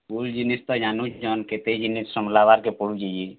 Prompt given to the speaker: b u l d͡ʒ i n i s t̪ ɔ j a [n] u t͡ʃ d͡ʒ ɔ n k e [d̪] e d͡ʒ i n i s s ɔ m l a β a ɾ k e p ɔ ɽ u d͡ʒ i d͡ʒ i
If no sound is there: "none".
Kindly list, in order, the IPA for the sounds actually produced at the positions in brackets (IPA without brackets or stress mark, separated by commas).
n, t̪